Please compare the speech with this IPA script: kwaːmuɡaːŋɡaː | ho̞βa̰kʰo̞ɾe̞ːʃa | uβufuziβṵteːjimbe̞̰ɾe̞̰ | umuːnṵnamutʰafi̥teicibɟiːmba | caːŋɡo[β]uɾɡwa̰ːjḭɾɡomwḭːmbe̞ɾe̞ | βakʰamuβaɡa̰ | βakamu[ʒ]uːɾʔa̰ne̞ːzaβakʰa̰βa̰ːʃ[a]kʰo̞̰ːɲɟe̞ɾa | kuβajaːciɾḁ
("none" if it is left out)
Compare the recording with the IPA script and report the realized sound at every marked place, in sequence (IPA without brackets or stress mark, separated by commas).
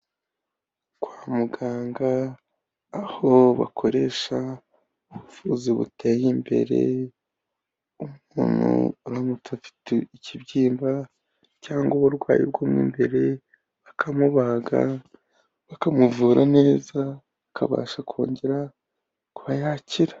β, v, a